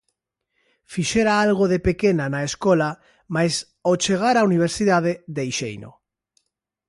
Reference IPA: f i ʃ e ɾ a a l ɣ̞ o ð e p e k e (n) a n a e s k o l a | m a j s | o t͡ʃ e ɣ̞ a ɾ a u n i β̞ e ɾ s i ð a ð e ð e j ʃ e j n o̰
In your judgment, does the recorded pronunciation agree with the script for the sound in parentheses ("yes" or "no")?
yes